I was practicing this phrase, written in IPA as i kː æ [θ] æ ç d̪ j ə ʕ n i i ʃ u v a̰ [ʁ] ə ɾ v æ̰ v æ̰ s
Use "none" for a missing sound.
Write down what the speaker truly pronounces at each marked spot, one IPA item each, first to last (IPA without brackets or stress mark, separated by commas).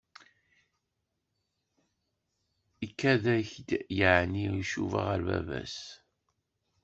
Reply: ð, ʁ